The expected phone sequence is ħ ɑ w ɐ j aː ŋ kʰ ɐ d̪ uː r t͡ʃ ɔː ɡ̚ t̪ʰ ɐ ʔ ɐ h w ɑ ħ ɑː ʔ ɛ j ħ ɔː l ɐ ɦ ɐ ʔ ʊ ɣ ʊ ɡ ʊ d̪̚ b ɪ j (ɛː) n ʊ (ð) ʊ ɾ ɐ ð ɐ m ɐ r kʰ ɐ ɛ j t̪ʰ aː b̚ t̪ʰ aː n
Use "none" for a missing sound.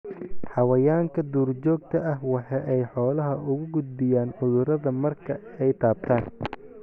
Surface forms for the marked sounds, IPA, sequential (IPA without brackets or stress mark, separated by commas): aː, ð